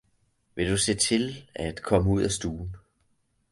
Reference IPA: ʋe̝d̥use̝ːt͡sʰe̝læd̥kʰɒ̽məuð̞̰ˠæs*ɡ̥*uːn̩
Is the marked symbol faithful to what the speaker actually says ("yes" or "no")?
no